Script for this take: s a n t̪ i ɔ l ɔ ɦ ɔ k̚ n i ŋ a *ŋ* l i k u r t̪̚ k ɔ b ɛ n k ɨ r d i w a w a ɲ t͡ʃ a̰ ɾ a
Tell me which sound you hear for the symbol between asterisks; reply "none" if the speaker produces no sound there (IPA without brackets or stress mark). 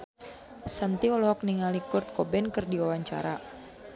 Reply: none